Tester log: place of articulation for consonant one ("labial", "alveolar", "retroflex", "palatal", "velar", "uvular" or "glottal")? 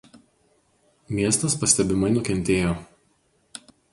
labial